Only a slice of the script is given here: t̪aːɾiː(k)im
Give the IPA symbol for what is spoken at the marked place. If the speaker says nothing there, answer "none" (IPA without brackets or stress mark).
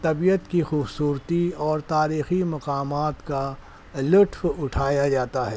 x